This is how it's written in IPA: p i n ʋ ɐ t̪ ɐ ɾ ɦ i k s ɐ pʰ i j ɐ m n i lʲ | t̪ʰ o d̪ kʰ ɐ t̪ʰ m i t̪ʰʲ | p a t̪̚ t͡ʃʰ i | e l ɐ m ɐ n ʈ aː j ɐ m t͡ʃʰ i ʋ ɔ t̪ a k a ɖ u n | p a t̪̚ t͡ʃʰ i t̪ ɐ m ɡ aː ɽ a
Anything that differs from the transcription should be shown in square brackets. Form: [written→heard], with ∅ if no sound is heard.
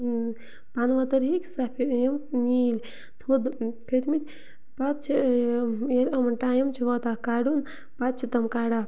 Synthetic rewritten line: p [i→a] n ʋ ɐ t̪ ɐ ɾ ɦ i k s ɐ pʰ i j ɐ m n i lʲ | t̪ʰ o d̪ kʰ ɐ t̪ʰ m i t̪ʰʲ | p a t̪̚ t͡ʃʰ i | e l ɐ m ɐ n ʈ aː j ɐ m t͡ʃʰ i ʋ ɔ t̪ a k a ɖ u n | p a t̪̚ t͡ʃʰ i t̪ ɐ m [ɡ→k] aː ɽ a